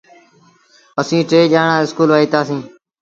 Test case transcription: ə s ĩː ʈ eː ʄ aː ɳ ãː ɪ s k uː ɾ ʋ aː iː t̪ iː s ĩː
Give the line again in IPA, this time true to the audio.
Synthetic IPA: ə s ĩː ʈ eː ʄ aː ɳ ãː ɪ s k uː l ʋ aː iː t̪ aː s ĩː

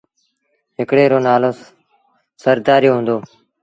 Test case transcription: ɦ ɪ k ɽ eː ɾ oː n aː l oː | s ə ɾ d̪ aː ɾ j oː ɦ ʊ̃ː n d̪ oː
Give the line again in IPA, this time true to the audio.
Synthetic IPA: ɦ ɪ k ɽ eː ɾ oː n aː l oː | s ə ɾ d̪ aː ɾ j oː ɦ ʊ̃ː n d̪ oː

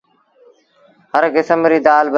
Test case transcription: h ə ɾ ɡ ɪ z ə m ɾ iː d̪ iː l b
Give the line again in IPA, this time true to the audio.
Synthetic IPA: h ə ɾ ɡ ɪ s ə m ɾ iː d̪ aː l b

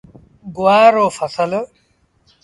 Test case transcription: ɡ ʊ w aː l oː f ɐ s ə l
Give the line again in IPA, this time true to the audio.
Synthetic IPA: ɡ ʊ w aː ɾ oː f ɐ s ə l

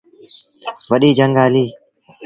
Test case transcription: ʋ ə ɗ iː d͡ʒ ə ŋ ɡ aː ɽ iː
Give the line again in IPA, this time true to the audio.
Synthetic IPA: ʋ ə ɗ iː d͡ʒ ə ŋ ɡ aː l iː

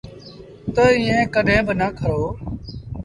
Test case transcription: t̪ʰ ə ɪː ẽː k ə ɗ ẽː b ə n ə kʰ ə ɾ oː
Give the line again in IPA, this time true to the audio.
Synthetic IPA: t̪ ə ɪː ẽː k ə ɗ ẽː b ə n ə kʰ ə ɾ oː

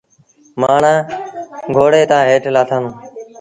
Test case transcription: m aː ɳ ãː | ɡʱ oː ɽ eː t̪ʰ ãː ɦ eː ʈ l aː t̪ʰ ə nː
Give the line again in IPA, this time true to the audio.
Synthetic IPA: m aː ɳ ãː | ɡʱ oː ɽ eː t̪ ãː ɦ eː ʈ l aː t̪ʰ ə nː

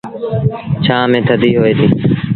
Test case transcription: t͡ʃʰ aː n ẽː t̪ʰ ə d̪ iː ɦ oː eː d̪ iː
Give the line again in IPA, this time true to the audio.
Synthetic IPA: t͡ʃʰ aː m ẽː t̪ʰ ə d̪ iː ɦ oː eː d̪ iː

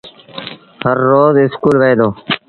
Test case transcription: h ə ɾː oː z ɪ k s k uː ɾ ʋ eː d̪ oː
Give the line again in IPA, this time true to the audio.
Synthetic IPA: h ə ɾː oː z ɪ s k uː l ʋ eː d̪ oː

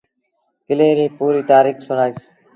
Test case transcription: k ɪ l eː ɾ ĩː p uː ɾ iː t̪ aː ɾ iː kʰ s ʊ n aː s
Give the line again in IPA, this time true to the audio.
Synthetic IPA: k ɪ l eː ɾ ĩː p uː ɾ iː t̪ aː ɾ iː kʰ s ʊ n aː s

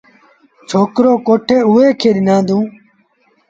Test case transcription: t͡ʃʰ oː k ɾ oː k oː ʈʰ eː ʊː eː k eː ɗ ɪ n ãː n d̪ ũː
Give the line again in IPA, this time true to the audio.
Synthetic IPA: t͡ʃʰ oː k ɾ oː k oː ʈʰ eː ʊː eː kʰ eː ɗ ɪ n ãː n d̪ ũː

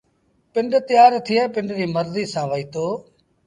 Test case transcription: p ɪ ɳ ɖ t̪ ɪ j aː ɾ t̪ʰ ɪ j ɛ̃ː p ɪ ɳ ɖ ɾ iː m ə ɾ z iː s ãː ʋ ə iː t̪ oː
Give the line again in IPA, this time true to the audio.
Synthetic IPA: p ɪ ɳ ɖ t̪ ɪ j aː ɾ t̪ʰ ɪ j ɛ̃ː p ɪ ɳ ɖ ɾ iː m ə ɾ z iː s ãː ʋ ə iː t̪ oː

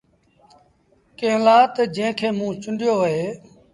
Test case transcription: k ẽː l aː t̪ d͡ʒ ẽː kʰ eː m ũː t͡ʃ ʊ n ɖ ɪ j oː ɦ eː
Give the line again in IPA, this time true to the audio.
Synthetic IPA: k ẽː l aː t̪ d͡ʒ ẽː kʰ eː m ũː t͡ʃ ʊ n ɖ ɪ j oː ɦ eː

